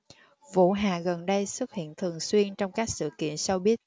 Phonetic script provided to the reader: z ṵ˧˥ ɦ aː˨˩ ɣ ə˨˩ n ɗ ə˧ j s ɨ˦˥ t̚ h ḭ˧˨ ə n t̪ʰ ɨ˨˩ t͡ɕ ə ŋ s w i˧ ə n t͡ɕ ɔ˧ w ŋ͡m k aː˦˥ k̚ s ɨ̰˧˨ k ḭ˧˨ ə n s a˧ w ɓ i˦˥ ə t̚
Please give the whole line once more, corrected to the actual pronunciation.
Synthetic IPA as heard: v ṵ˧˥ ɦ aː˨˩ ɣ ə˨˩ n ɗ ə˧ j s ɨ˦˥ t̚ h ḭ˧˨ ə n t̪ʰ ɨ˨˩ ə ŋ s w i˧ ə n t͡ɕ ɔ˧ w ŋ͡m k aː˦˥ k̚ s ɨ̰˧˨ k ḭ˧˨ ə n s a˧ w ɓ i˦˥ ə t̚

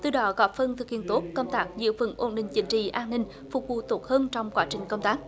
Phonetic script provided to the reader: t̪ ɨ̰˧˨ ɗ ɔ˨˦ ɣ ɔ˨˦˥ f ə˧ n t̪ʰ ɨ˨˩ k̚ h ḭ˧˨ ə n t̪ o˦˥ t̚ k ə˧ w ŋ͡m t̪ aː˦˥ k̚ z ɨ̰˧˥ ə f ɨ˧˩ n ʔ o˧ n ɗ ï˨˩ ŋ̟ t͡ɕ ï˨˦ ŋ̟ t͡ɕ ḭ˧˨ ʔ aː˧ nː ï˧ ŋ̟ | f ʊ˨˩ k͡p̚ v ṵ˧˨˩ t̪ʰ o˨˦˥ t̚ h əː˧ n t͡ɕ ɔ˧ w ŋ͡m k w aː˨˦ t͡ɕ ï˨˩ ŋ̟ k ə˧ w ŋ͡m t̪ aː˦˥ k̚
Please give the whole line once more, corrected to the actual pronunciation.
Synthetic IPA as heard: t̪ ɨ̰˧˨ ɗ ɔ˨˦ ɣ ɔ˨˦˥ f ə˧ n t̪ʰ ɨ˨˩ k̚ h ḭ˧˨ ə n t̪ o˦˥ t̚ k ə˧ w ŋ͡m t̪ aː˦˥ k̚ z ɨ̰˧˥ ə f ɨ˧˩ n ʔ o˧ n ɗ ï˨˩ ŋ̟ t͡ɕ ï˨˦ ŋ̟ t͡ɕ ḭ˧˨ ʔ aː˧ nː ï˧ ŋ̟ | f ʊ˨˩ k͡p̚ v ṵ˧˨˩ t̪ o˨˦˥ t̚ h əː˧ n t͡ɕ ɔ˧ w ŋ͡m k w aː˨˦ t͡ɕ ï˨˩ ŋ̟ k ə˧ w ŋ͡m t̪ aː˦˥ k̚

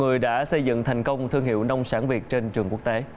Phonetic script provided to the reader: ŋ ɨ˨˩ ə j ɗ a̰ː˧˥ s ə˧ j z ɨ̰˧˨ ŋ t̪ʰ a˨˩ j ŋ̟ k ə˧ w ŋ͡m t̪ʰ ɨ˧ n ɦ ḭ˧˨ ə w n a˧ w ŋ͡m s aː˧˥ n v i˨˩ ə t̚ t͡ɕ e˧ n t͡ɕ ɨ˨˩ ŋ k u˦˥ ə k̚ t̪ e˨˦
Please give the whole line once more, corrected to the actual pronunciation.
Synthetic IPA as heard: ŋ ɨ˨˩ ə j ɗ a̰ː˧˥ s ə˧ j z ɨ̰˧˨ ŋ t̪ʰ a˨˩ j ŋ̟ k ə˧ w ŋ͡m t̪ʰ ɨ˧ ŋ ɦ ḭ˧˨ ə w n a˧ w ŋ͡m s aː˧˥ n v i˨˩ ə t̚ t͡ɕ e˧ n t͡ɕ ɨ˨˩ ŋ k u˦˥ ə k̚ t̪ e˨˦

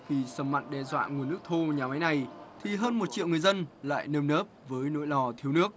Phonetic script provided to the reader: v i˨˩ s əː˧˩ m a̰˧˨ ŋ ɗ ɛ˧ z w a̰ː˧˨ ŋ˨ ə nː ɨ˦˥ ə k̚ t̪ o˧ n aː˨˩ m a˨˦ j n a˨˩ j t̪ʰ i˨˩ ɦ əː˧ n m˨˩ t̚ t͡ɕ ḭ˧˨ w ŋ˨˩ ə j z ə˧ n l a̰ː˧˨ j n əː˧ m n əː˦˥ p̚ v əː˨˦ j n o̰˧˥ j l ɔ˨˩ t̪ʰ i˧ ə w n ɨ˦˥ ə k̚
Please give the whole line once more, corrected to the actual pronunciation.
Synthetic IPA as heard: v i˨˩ s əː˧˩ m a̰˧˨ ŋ ɗ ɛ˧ z w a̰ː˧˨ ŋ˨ ə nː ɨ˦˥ ə k̚ t̪ʰ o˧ ɲ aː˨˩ m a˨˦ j n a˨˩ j t̪ʰ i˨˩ ɦ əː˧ n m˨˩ t̚ t͡ɕ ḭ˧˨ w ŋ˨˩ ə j z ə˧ n l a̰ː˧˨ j n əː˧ m n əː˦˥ p̚ v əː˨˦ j n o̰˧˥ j l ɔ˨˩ t̪ʰ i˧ ə w n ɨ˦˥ ə k̚

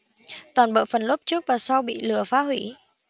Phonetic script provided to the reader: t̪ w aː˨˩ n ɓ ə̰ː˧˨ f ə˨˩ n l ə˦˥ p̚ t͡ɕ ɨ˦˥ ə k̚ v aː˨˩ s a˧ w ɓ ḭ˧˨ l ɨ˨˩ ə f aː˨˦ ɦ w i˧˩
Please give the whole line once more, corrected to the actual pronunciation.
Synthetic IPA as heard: t̪ w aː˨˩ n ɓ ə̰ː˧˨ f ə˨˩ n l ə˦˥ p̚ t͡ɕ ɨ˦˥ ə k̚ v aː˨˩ s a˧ w ɓ ḭ˧˨ l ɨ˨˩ ə f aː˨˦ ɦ w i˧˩

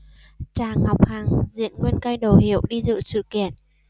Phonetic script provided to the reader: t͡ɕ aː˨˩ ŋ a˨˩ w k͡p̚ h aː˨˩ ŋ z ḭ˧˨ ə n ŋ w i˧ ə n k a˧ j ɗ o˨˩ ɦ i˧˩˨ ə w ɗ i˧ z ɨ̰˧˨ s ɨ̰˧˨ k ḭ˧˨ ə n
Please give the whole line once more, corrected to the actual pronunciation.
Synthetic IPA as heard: t͡ɕ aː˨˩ ŋ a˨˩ w k͡p̚ h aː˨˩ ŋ z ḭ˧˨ ə n ŋ w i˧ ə n k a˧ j ɗ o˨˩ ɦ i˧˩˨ ə w ɗ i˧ z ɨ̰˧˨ s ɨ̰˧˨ k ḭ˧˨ ə n

